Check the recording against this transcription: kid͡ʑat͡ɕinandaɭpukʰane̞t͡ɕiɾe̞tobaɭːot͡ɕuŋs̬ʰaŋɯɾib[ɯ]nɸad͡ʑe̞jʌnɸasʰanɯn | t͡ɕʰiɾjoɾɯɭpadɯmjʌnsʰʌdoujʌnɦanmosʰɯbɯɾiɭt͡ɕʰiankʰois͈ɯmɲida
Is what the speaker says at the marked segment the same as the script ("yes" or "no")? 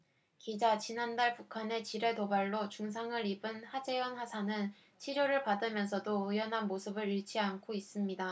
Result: yes